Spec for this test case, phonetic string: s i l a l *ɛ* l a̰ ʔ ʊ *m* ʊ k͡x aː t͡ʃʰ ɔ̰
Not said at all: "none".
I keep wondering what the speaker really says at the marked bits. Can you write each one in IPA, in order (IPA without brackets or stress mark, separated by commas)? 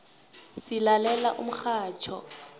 ɛ, m